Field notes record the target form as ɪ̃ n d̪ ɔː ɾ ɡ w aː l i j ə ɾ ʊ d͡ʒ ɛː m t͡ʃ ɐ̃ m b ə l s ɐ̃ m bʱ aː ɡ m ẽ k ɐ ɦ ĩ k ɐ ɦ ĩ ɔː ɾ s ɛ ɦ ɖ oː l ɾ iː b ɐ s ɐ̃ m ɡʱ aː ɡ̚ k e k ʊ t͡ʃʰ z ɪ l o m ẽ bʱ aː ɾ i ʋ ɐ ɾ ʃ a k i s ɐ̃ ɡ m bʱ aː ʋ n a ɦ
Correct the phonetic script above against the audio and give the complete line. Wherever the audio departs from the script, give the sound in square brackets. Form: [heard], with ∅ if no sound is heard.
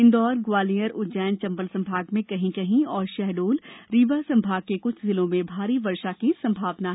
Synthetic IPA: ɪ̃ n d̪ ɔː ɾ ɡ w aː l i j ə ɾ ʊ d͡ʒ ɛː [n] t͡ʃ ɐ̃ m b ə l s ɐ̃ m bʱ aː ɡ m ẽ k ɐ ɦ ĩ k ɐ ɦ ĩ ɔː ɾ [ʃ] ɛ ɦ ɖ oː l ɾ iː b [a] s ɐ̃ m [bʱ] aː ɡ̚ k e k ʊ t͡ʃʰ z ɪ l [õ] m ẽ bʱ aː ɾ i ʋ ɐ ɾ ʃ a k i s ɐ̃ [∅] m bʱ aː ʋ n a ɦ

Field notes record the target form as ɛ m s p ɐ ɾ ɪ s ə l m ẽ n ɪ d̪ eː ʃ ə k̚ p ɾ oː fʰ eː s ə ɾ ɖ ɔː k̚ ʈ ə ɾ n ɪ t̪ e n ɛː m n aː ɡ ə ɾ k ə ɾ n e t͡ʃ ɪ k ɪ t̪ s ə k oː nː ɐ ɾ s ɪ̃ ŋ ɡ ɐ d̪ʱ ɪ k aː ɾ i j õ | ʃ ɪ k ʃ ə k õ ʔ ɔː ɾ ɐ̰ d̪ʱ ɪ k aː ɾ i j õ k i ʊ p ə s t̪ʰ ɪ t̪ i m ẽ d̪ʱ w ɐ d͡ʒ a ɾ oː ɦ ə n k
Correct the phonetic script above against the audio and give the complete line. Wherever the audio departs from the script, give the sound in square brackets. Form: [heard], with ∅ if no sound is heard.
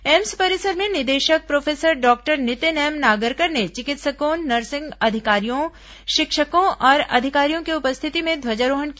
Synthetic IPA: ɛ m s p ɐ ɾ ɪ s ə [ɾ] m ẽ n ɪ d̪ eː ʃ ə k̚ p ɾ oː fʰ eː s ə ɾ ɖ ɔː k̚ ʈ ə ɾ n ɪ t̪ e n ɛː m n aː ɡ ə ɾ k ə ɾ n e t͡ʃ ɪ k ɪ t̪ s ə k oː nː ɐ ɾ s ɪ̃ ŋ ɡ ɐ d̪ʱ ɪ k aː ɾ i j õ | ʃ ɪ k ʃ ə k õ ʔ ɔː ɾ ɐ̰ d̪ʱ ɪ k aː ɾ i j õ k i ʊ p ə s t̪ʰ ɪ t̪ i m ẽ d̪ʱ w ɐ d͡ʒ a ɾ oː ɦ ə n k

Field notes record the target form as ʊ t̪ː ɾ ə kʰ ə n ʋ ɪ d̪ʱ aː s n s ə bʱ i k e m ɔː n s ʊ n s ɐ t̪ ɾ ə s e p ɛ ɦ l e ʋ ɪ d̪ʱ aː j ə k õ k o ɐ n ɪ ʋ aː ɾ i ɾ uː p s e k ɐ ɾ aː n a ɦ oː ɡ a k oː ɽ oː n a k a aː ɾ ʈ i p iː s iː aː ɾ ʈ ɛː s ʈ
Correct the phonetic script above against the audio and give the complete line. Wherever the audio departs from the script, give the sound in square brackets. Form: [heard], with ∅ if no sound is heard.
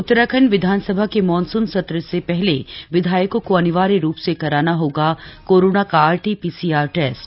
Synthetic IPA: ʊ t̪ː ɾ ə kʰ ə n ʋ ɪ d̪ʱ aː [∅] n s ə bʱ [a] k e m ɔː n s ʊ n s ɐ t̪ ɾ ə s e p ɛ ɦ l e ʋ ɪ d̪ʱ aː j ə k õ k o ɐ n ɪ ʋ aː ɾ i ɾ uː p s e k ɐ ɾ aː n a ɦ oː ɡ a k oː [ɾ] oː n a k a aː ɾ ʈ i p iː s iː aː ɾ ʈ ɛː s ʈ

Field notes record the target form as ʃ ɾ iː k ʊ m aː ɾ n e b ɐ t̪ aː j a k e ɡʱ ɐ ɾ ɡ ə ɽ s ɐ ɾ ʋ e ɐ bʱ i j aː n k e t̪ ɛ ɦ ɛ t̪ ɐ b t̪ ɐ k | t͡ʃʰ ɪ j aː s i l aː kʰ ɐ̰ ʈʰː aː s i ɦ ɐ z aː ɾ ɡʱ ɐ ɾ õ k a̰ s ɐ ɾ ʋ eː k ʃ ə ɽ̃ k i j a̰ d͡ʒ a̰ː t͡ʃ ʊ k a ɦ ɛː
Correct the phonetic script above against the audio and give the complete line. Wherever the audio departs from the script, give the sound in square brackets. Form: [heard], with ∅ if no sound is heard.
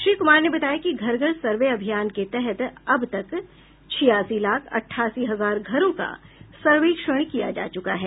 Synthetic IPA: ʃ ɾ iː k ʊ m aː ɾ n e b ɐ t̪ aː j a k [i] ɡʱ ɐ ɾ ɡ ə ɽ s ɐ ɾ ʋ e ɐ bʱ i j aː n k e t̪ ɛ ɦ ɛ t̪ ɐ b t̪ ɐ k | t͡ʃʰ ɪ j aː s i l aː kʰ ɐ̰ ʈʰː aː s i ɦ ɐ z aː ɾ ɡʱ ɐ ɾ õ k a̰ s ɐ ɾ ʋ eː k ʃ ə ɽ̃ k i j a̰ d͡ʒ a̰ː t͡ʃ ʊ k a ɦ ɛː

